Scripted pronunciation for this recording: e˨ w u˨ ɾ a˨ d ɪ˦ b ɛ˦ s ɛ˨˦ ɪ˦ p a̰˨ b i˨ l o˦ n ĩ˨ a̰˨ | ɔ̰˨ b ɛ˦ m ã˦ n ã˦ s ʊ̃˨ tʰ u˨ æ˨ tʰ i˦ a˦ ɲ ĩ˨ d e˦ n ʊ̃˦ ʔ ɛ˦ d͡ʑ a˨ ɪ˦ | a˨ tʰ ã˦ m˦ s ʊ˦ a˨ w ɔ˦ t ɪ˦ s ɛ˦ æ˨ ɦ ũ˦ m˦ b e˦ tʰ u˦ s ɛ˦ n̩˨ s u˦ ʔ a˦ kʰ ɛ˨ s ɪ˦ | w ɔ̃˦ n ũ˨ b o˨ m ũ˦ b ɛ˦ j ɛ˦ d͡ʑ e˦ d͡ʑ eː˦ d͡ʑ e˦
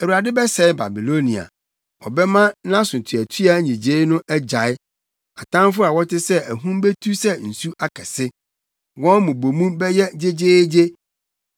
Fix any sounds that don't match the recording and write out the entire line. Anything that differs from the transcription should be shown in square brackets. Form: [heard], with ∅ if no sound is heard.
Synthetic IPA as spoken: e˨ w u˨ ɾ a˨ d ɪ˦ b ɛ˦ s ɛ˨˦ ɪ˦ [b] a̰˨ b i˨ l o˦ n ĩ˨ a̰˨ | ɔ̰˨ b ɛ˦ m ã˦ n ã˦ s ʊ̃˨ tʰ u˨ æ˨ tʰ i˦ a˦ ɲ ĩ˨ [d͡ʑ] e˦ n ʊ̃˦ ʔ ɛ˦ d͡ʑ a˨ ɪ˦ | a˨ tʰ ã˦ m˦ [f] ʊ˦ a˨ w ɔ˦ t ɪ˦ s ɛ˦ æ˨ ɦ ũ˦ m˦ b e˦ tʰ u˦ s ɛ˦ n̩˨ s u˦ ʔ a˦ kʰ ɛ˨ s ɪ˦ | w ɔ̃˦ [m] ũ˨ b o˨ m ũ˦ b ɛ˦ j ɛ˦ d͡ʑ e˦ d͡ʑ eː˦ d͡ʑ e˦